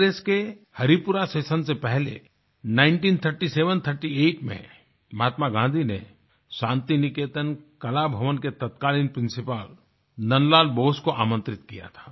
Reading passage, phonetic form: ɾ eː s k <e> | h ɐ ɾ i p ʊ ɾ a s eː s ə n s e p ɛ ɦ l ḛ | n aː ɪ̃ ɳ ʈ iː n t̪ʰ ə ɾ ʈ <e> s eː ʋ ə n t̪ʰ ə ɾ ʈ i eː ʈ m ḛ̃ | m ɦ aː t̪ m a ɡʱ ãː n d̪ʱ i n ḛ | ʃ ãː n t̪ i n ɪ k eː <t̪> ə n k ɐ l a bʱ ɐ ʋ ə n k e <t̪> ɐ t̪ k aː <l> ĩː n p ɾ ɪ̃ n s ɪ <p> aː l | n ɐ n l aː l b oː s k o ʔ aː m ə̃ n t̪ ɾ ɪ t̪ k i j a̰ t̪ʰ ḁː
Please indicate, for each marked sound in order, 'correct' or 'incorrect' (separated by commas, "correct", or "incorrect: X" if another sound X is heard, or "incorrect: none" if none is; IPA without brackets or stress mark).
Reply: correct, incorrect: i, correct, correct, correct, correct